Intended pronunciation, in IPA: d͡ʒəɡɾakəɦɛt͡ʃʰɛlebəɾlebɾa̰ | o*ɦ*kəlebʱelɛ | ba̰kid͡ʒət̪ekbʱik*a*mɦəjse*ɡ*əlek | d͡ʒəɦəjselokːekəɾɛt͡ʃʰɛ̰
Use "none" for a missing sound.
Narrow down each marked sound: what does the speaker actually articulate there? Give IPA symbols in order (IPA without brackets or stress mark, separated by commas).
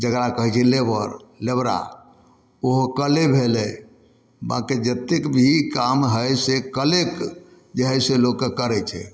ɦ, a, k